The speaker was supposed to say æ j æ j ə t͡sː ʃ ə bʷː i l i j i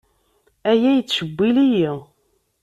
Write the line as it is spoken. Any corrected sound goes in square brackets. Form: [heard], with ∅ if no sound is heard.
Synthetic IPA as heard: æ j æ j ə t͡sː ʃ ə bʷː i l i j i